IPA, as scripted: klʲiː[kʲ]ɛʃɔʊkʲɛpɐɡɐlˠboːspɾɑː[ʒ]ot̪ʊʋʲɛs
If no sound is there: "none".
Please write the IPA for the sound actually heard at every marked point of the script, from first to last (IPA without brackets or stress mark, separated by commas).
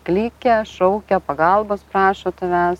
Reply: kʲ, ʃ